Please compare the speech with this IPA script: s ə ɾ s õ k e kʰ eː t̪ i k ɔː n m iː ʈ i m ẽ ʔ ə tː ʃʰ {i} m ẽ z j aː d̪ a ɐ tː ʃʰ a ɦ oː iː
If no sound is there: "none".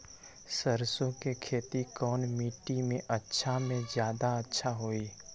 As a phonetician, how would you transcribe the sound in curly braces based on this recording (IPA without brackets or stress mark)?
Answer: a